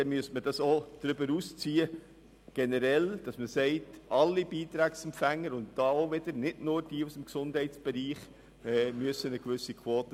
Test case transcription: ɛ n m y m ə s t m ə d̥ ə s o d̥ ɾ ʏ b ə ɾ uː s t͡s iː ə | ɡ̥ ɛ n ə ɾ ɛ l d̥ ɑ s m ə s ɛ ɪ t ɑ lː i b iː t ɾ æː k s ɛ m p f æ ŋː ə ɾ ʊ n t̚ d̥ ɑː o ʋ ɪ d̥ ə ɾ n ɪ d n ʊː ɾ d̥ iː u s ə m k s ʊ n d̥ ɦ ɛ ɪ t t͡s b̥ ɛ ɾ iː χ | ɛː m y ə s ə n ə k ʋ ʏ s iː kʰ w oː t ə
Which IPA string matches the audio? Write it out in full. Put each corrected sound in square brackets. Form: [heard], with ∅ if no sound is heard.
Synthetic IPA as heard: ɛ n m y [∅] ə s t m ə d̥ [ɑ] s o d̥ ɾ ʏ b ə ɾ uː s t͡s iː ə | ɡ̥ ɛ n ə ɾ ɛ l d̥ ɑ s m ə s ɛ ɪ t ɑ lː i b iː t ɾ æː k s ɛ m p f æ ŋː ə ɾ ʊ n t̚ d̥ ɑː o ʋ ɪ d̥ ə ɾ n ɪ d n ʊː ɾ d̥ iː u s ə m k s ʊ n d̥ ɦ ɛ ɪ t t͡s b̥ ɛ ɾ iː χ | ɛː m y ə s ə n ə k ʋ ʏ s [i] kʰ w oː t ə